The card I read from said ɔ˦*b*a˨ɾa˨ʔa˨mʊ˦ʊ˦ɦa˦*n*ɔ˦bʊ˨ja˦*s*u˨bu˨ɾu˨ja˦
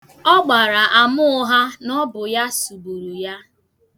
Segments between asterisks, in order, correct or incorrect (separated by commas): incorrect, correct, correct